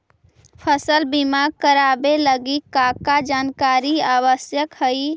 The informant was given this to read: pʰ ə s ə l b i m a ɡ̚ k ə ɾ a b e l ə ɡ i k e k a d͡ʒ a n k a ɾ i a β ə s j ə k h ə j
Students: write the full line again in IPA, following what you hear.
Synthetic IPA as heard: pʰ ə s ə l b i m a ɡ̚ k ə ɾ a b e l ə ɡ i k a k a d͡ʒ a n k a ɾ i a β ə s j ə k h ə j